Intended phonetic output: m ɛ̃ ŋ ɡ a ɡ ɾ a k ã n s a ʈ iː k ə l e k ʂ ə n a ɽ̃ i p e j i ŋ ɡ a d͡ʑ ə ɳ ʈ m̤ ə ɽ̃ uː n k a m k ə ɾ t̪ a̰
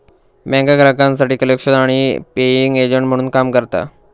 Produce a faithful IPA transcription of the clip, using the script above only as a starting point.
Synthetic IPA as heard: m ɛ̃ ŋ ɡ a ɡ ɾ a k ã n s a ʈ iː k ə l e k ʂ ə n a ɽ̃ i p e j i ŋ ɡ e d͡ʑ ə ɳ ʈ m̤ ə ɽ̃ uː n k a m k ə ɾ t̪ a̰